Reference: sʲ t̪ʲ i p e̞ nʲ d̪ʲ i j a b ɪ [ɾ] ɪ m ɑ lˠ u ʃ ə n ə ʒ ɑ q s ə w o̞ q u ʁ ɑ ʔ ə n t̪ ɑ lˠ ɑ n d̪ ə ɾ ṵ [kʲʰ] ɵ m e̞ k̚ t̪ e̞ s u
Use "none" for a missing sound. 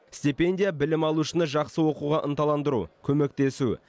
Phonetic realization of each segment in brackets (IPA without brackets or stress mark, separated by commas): l, kʲʰ